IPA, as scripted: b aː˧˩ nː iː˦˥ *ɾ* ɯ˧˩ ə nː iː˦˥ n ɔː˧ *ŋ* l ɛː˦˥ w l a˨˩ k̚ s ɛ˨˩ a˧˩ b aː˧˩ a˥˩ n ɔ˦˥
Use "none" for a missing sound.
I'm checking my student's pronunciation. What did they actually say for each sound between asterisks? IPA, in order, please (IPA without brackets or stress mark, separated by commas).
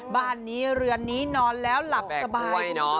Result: ɾ, n